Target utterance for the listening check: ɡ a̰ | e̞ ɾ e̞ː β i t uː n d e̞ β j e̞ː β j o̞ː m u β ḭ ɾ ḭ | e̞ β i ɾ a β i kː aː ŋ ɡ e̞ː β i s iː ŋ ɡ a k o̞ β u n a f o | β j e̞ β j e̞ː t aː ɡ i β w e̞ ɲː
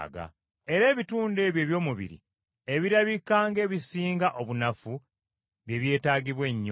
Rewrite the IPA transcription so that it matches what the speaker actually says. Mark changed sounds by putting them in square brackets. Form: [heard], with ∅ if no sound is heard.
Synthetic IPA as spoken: ɡ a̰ | e̞ ɾ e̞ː β i t uː n d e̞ β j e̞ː β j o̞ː m u β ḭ ɾ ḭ | e̞ β i ɾ a β i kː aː ŋ ɡ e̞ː β i s iː ŋ ɡ a [ʔ] o̞ β u n a f [u] | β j e̞ β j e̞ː t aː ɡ i β w e̞ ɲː

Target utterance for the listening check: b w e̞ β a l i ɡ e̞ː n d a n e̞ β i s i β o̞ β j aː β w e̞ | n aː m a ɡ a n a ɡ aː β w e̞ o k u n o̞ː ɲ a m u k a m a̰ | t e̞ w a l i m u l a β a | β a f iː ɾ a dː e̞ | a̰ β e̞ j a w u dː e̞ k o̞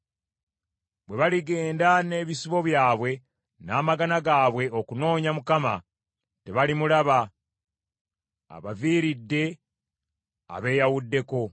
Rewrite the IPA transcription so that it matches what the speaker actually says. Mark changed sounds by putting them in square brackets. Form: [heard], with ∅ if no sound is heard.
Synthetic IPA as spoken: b w e̞ β a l i ɡ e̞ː n d a n e̞ β i s i β o̞ β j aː β w e̞ | n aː m a ɡ a n a ɡ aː β w e̞ o k u n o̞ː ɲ a m u k a m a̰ | t e̞ [β] a l i m u l a β a | β a [v] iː ɾ [i] dː e̞ | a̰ β e̞ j a w u dː e̞ k o̞

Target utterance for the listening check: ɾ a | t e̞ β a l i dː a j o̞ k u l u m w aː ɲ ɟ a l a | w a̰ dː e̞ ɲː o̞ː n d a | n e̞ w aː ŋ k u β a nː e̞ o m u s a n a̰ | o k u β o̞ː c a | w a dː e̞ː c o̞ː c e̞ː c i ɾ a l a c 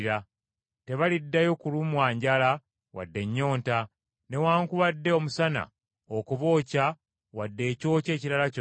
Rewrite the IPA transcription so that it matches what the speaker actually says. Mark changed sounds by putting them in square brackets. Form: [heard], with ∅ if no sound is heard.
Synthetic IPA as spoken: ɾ a | t e̞ β a l i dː a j o̞ k u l u m w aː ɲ ɟ a l a | w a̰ dː e̞ ɲː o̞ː n [t] a | n e̞ w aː ŋ k u β a [dː] e̞ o m u s a n a̰ | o k u β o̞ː c a | w a dː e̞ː c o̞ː c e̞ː c i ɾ a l a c

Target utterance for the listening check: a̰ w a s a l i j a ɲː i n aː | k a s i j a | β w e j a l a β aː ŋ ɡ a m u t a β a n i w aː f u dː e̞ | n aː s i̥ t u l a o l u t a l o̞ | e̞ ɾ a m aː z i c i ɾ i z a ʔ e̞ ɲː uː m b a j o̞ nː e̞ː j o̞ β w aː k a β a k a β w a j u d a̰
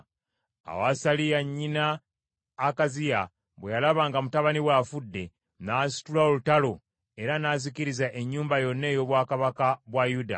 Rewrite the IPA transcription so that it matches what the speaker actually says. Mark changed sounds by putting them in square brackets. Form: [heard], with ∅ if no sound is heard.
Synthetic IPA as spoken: a̰ w a s a l i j a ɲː i n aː | k a [z] i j a | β w e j a l a β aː ŋ ɡ a m u t a β a n i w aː f u dː e̞ | n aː s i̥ t u l a o l u t a l o̞ | e̞ ɾ a [n] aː z i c i ɾ i z a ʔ e̞ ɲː uː m b a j o̞ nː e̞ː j o̞ β w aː k a β a k a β w a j u d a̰

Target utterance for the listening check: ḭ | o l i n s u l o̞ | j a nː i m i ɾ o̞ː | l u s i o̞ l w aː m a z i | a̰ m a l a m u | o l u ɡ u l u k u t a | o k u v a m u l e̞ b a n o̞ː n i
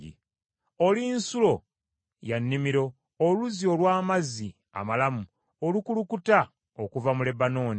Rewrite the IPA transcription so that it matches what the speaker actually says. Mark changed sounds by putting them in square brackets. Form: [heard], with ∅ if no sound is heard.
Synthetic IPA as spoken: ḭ | o l i n s u l o̞ | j a nː i m i ɾ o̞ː | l u [z] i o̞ l w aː m a z i | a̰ m a l a m u | o l u [k] u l u k u t a | o k u v a m u l e̞ b a n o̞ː n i

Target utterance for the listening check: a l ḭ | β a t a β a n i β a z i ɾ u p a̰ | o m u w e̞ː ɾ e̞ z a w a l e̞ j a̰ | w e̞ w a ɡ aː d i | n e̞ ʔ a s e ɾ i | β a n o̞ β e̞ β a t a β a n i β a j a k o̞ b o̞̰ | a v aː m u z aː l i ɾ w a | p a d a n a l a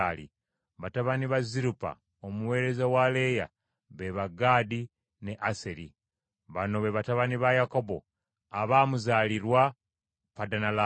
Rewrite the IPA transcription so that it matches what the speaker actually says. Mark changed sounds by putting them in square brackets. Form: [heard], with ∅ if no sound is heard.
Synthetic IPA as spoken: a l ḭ | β a t a β a n i β a z i ɾ u p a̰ | o m u w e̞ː ɾ e̞ z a w a l e̞ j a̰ | [β] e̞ [β] a ɡ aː d i | n e̞ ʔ a s e ɾ i | β a n o̞ β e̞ β a t a β a n i β a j a k o̞ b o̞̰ | a [β] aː m u z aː l i ɾ w a | p a d a n a l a

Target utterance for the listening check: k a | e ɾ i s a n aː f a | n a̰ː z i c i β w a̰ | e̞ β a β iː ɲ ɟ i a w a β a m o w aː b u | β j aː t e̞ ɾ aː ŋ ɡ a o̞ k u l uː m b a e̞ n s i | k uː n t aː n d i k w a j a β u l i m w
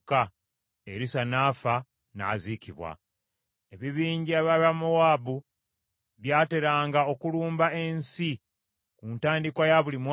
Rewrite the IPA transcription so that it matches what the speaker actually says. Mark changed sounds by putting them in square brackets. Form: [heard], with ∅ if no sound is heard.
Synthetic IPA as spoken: k a | e ɾ i s a n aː f a | n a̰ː z i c i β w a̰ | e̞ β [i] β iː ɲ ɟ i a [β] a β a m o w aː b u | β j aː t e̞ ɾ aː ŋ ɡ a o̞ k u l uː m b a e̞ n s i | k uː n t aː n d i k w a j a β u l i m w

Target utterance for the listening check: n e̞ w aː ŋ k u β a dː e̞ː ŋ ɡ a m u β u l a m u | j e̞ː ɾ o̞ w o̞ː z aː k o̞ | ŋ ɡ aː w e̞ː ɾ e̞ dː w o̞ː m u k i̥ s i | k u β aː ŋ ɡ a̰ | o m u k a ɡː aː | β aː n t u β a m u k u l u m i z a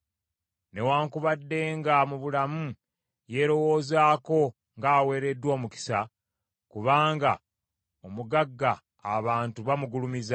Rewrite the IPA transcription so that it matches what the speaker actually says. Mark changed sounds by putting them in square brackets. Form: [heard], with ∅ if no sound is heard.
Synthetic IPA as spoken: n e̞ w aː ŋ k u β a dː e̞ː ŋ ɡ a m u β u l a m u | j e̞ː ɾ o̞ w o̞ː z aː k o̞ | ŋ ɡ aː w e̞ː ɾ e̞ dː w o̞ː m u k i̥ s [a] | k u β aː ŋ ɡ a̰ | o m u [ɡ] a ɡː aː | β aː n t u β a m u [ɡ] u l u m i z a

